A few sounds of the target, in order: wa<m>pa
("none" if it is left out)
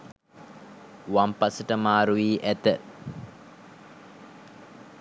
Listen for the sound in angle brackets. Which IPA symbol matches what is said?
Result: m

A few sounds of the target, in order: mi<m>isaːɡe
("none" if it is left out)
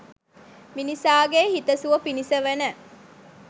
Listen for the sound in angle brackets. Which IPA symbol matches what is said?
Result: n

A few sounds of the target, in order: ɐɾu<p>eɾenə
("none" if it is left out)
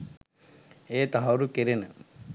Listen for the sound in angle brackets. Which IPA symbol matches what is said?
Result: k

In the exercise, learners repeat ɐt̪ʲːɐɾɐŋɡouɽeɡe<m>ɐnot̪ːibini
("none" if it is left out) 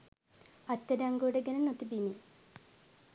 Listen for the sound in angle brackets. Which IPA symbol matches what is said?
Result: n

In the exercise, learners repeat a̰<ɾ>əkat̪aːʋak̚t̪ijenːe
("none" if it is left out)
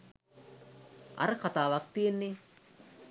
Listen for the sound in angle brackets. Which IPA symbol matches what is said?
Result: ɾ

